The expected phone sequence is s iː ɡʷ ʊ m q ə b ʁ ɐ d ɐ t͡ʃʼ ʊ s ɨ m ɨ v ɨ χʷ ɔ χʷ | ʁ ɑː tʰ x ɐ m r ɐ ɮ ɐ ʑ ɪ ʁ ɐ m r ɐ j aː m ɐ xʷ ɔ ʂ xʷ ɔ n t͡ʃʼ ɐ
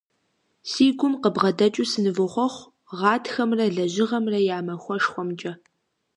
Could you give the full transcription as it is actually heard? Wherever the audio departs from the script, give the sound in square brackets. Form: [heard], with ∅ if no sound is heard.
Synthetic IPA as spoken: s iː ɡʷ ʊ m q ə b ʁ ɐ d ɐ t͡ʃʼ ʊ s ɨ [n] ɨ v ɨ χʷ ɔ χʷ | ʁ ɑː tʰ x ɐ m r ɐ ɮ ɐ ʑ ɪ ʁ ɐ m r ɐ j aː m ɐ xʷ ɔ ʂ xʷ ɔ [m] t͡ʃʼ ɐ